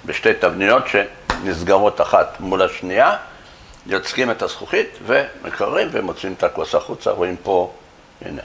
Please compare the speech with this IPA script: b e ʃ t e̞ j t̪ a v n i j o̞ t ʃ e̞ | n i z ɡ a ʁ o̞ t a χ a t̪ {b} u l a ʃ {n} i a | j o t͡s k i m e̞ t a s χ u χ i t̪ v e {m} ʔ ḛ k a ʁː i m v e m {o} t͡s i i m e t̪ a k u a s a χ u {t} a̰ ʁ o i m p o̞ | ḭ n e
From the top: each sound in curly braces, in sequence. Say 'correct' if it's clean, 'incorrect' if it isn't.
incorrect: m, correct, correct, correct, incorrect: t͡s

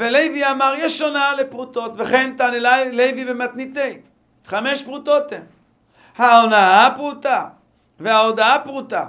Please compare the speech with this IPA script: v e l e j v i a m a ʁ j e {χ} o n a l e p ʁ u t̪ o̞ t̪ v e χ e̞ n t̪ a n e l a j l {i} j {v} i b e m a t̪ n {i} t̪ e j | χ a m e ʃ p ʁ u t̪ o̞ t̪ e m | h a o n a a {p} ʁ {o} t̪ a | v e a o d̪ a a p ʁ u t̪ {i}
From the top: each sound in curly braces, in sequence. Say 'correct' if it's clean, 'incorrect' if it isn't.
incorrect: ʃ, incorrect: e, correct, correct, correct, incorrect: u, incorrect: a

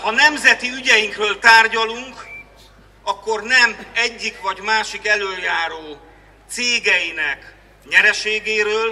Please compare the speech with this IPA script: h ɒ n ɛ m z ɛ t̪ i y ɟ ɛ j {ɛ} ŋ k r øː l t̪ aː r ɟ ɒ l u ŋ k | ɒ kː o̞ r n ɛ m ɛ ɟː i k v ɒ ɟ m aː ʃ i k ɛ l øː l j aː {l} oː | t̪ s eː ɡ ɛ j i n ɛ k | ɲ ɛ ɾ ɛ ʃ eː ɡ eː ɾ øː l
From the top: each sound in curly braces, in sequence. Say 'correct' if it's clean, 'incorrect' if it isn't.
incorrect: i, incorrect: ɾ

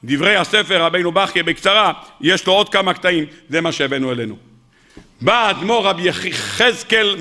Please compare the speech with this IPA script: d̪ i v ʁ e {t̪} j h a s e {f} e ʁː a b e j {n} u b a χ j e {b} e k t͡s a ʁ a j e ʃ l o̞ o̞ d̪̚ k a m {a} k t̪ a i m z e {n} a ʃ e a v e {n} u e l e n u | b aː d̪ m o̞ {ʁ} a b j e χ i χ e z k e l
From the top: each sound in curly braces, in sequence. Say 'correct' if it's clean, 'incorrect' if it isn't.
incorrect: none, correct, correct, correct, correct, incorrect: m, correct, correct

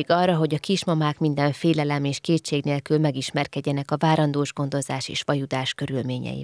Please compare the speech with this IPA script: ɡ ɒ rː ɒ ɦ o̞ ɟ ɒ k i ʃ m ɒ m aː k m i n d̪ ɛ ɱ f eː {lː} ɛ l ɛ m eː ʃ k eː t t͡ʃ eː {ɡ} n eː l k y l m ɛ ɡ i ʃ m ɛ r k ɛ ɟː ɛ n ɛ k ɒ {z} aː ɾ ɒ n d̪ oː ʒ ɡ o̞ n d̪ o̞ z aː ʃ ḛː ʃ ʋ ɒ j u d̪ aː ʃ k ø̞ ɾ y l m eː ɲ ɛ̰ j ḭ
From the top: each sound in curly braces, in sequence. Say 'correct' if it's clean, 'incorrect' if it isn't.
incorrect: l, correct, incorrect: v

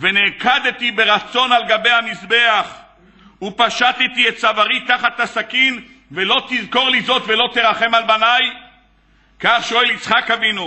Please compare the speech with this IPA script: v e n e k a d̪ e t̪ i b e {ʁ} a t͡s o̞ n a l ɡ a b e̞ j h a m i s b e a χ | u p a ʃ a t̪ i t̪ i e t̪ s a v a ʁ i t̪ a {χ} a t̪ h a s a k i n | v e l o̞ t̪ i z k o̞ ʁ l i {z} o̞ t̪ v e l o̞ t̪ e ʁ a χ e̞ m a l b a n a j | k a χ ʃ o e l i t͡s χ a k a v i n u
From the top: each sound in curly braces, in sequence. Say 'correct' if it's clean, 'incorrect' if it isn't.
correct, correct, correct

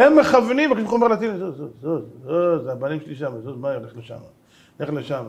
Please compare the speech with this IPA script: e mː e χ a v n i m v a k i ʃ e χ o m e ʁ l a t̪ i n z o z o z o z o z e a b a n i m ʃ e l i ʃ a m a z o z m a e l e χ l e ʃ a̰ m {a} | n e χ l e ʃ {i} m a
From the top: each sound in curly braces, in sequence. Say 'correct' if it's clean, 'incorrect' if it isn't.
correct, incorrect: a

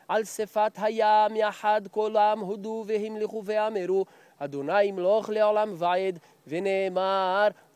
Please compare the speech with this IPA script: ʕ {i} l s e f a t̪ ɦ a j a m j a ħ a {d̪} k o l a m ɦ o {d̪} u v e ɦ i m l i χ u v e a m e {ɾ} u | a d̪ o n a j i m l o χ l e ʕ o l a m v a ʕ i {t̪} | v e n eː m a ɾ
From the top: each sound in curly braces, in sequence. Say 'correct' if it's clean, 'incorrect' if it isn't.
incorrect: a, correct, correct, correct, incorrect: d̪

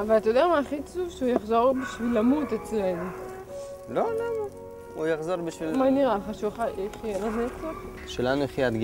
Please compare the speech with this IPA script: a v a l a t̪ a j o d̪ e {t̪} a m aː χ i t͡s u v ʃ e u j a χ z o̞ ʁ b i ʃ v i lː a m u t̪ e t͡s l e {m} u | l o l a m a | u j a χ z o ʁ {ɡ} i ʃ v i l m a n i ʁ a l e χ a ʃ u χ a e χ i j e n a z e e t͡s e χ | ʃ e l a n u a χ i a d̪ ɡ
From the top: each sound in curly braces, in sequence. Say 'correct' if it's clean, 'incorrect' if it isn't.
incorrect: none, incorrect: n, incorrect: b

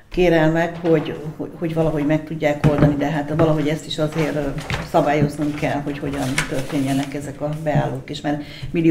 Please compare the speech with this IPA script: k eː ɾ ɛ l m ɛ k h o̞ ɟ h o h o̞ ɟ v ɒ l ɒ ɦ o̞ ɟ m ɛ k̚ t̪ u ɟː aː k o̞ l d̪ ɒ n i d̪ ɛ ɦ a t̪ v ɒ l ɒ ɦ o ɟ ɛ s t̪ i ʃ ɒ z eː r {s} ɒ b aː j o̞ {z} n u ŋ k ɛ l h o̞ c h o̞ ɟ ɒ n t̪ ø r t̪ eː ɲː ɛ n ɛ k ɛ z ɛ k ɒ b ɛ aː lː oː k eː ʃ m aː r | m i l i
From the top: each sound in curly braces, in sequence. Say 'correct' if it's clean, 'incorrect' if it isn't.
correct, correct

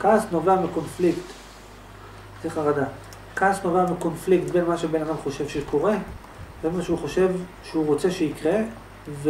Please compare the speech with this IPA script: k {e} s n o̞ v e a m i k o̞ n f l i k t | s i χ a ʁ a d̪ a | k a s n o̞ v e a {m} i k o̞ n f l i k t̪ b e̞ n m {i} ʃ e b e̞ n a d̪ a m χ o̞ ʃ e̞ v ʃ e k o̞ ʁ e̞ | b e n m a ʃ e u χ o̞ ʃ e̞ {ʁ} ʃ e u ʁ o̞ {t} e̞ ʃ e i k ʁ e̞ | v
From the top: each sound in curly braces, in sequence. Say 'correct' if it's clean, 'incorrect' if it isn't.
incorrect: a, correct, incorrect: a, incorrect: v, incorrect: t͡s

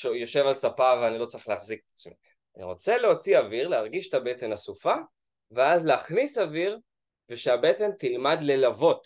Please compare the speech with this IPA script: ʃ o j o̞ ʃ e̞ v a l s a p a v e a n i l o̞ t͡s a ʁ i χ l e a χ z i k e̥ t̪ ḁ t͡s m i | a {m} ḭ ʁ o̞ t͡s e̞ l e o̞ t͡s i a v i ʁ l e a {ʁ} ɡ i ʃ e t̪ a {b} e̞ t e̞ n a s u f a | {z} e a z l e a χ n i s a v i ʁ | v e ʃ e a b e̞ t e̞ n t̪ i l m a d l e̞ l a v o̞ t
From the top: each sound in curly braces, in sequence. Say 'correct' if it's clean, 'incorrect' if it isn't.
incorrect: n, correct, correct, incorrect: v

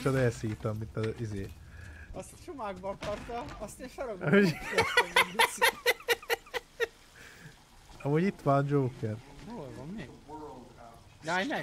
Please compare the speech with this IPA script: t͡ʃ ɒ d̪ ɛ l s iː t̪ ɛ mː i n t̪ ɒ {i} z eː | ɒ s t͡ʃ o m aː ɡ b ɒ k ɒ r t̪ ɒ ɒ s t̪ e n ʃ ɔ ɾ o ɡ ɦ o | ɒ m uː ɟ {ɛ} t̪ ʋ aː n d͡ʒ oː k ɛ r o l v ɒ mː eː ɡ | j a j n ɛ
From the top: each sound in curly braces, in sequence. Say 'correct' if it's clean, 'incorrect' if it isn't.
correct, incorrect: i

